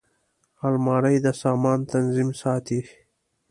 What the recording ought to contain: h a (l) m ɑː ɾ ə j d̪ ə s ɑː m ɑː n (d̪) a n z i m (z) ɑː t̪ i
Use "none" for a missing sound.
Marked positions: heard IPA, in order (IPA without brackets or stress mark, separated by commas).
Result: l, t̪, s